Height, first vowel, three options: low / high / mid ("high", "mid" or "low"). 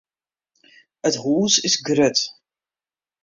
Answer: mid